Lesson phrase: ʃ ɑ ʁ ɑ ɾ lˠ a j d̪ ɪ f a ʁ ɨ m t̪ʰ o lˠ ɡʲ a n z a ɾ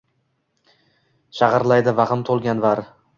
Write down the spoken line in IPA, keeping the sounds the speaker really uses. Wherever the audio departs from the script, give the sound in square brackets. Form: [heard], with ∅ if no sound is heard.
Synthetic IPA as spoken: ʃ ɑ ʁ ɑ ɾ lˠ a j d̪ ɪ [v] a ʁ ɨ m t̪ʰ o lˠ ɡʲ a n [v] a ɾ